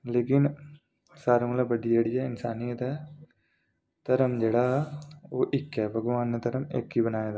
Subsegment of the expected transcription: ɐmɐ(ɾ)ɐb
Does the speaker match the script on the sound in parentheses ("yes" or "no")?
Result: no